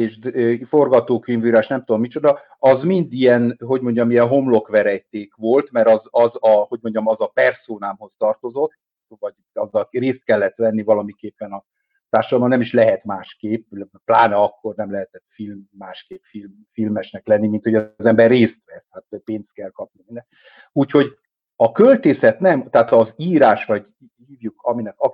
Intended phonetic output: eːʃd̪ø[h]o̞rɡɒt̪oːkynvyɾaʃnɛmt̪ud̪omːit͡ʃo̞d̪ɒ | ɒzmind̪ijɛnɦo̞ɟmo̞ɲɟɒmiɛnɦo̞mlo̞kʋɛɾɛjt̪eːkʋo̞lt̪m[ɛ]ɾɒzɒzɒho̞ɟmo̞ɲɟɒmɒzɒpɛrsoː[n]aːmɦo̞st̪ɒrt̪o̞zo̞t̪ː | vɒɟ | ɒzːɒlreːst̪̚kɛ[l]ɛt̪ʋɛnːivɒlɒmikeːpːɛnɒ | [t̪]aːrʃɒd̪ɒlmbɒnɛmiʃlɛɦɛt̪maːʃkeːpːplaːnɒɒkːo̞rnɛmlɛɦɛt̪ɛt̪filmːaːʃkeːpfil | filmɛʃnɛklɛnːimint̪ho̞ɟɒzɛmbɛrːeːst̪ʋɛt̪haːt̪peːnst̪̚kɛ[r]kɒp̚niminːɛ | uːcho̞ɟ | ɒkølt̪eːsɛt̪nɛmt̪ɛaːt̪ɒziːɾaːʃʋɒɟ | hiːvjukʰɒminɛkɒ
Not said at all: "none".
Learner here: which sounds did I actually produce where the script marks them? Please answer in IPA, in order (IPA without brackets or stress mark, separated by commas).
f, ɛ, n, lː, t̪, l